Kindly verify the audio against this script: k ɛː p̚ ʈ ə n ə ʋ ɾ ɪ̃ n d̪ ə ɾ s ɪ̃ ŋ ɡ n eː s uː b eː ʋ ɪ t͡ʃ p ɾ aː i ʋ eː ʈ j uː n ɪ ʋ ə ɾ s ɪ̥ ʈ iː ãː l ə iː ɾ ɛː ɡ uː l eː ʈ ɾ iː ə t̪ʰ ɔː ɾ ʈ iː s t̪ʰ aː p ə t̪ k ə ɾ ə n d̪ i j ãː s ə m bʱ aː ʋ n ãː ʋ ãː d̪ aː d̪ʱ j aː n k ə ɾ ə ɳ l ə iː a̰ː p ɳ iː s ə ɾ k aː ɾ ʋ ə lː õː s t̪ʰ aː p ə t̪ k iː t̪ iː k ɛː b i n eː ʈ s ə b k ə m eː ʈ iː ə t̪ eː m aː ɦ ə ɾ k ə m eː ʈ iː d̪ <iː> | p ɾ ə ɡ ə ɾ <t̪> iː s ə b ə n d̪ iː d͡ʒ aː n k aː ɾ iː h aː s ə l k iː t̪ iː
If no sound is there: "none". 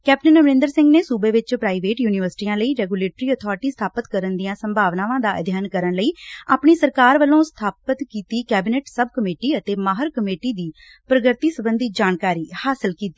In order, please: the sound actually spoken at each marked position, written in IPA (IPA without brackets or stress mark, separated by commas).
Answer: iː, t̪